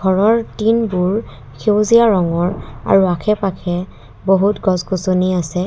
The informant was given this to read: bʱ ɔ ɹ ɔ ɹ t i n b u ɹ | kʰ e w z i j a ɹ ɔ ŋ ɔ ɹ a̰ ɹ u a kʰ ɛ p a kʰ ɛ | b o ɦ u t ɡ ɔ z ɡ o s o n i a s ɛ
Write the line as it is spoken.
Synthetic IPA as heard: ɡʱ ɔ ɹ ɔ ɹ t i n b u ɹ | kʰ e w z i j a ɹ ɔ ŋ ɔ ɹ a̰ ɹ u a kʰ ɛ p a kʰ ɛ | b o ɦ u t ɡ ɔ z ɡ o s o n i a s ɛ